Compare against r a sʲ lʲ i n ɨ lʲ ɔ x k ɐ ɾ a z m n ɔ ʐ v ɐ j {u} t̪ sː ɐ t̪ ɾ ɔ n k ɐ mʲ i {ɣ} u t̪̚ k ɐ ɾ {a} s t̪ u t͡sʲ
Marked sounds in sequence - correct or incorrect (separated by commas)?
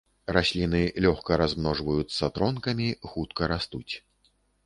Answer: correct, incorrect, correct